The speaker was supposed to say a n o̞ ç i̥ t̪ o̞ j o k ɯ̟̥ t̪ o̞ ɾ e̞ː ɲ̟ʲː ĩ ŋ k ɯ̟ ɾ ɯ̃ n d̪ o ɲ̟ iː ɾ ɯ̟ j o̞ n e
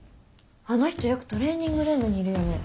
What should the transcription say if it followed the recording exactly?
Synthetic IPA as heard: a n o̞ ç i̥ t̪ o̞ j o k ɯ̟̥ t̪ o̞ ɾ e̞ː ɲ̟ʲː ĩ ŋ ɡ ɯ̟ ɾ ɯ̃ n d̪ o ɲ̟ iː ɾ ɯ̟ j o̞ n e